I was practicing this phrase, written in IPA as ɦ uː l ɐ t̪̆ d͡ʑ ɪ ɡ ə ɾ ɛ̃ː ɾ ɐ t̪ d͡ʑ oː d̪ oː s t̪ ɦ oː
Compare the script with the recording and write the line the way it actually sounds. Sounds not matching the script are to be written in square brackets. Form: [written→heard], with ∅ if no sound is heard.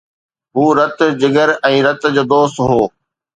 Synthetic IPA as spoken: ɦ uː [l→ɾ] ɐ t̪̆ d͡ʑ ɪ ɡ ə ɾ ɛ̃ː ɾ ɐ t̪ d͡ʑ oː d̪ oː s t̪ ɦ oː